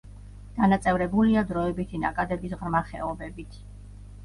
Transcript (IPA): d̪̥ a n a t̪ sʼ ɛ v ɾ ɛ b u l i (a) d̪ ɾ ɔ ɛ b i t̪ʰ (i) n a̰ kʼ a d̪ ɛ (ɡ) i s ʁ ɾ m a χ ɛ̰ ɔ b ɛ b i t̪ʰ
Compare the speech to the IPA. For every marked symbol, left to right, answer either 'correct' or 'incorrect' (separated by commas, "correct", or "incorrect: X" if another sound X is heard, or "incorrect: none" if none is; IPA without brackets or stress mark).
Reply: correct, correct, incorrect: b